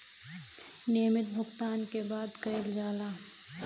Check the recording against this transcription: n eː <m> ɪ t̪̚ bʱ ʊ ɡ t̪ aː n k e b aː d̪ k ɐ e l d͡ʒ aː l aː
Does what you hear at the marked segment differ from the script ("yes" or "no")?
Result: no